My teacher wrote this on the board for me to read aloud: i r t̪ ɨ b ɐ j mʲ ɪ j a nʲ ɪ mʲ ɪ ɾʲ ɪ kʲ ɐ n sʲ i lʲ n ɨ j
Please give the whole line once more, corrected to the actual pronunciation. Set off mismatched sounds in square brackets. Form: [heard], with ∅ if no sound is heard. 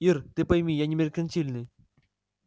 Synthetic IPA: i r t̪ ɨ [p] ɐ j mʲ [i] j a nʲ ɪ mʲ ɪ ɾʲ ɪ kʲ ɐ n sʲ i lʲ n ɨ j